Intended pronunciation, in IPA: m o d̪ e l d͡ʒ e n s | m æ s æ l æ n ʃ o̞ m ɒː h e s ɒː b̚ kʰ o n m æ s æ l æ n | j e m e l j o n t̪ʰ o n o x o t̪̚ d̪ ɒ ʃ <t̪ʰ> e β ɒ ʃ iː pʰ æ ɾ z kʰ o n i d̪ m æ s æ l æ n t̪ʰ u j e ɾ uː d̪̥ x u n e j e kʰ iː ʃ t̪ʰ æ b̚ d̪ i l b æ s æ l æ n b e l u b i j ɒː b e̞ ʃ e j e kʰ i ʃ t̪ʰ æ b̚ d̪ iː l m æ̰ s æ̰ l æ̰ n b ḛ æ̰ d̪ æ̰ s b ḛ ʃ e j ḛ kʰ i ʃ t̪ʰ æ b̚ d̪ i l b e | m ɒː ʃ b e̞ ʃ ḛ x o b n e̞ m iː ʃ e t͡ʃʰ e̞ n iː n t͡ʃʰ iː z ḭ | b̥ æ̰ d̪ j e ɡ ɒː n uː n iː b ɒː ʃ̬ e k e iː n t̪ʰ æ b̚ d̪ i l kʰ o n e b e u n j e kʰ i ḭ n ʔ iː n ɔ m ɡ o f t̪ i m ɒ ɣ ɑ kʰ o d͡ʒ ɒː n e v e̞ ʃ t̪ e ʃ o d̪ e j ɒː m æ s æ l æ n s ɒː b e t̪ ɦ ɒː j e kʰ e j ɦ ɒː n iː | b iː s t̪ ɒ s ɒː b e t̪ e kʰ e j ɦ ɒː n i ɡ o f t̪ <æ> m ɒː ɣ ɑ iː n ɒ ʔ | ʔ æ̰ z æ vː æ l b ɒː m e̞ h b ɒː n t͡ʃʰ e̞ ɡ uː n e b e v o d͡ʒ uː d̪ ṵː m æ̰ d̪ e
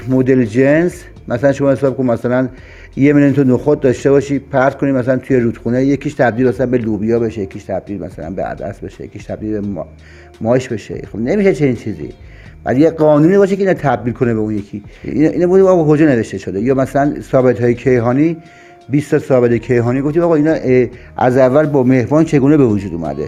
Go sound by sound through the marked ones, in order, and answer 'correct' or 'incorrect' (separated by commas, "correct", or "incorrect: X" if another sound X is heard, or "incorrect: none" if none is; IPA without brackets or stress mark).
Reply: incorrect: t̪, incorrect: i